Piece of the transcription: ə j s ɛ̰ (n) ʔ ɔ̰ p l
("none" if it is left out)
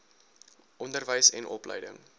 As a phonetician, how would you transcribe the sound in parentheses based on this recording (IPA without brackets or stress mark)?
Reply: n